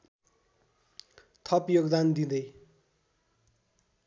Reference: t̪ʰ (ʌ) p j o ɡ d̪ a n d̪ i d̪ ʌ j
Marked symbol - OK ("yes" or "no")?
yes